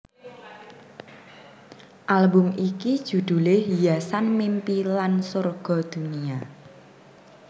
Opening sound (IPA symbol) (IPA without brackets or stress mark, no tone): ʔ